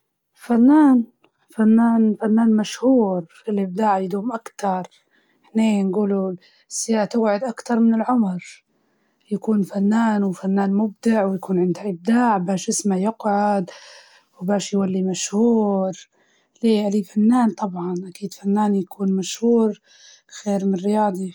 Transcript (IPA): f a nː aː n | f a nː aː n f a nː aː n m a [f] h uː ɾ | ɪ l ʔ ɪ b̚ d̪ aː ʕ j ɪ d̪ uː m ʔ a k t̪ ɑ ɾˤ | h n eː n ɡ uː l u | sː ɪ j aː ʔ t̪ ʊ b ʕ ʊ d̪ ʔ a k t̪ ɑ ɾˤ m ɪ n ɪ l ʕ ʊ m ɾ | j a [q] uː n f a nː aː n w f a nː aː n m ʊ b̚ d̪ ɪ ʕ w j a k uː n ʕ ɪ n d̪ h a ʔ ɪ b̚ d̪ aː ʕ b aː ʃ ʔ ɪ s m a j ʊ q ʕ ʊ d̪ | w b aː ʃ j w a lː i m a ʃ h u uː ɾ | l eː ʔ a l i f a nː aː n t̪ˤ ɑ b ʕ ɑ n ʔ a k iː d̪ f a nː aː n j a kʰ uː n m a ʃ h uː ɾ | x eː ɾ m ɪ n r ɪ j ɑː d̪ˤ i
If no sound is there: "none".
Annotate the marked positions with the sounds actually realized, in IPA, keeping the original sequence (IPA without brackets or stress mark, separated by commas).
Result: ʃ, k